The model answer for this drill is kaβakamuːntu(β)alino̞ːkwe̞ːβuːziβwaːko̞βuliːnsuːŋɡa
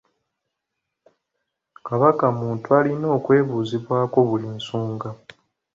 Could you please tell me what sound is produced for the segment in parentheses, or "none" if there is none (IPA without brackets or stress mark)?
none